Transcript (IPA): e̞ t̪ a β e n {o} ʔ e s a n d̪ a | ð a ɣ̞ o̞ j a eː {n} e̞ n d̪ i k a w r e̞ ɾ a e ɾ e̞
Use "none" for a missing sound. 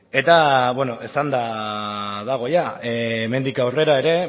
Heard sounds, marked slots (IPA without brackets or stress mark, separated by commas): o, m